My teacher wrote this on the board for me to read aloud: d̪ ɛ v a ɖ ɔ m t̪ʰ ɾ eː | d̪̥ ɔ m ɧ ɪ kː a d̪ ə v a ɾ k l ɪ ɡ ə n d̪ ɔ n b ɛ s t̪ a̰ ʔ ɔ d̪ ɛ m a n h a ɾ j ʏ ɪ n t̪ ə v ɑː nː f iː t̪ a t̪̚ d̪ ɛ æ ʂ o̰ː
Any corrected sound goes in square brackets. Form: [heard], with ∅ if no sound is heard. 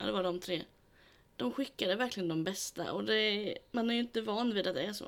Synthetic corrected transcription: d̪ ɛ v a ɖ ɔ m t̪ʰ ɾ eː | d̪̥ ɔ m ɧ ɪ kː a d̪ ə v [æ] ɾ k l ɪ ɡ ə n d̪ ɔ [m] b ɛ s t̪ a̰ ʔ ɔ d̪ ɛ m a n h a ɾ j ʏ ɪ n t̪ ə v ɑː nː [v] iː [d̪] a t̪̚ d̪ ɛ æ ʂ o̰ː